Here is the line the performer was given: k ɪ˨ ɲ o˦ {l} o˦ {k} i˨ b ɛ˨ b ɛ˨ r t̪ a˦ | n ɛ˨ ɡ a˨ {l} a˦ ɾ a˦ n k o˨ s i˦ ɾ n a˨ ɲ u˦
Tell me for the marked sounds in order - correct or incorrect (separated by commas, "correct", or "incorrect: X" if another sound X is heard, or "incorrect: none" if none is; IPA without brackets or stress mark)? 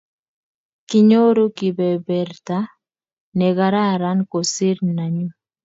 incorrect: ɾ, correct, incorrect: ɾ